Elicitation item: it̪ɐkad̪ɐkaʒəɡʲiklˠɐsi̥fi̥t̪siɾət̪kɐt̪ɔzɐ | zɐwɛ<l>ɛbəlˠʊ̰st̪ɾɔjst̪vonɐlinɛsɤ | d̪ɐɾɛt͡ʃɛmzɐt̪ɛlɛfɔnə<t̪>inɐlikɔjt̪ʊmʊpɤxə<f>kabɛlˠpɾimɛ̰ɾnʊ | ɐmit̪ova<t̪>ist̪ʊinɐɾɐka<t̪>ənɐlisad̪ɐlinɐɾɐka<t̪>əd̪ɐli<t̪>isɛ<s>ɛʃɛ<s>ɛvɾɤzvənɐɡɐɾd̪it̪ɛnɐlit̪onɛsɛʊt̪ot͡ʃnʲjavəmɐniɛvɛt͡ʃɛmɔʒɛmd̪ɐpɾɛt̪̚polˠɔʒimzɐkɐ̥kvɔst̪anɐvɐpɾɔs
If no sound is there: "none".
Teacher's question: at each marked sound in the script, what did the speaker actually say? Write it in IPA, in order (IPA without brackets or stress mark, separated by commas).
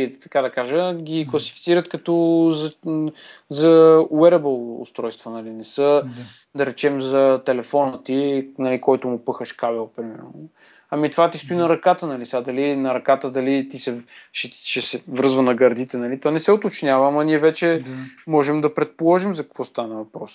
ɾ, t̪, ʃ, t̪, t̪, t̪, t̪, ʃ, s